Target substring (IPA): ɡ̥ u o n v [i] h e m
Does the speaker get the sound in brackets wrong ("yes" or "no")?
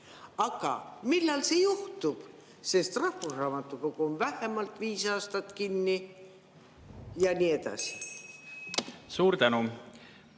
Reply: yes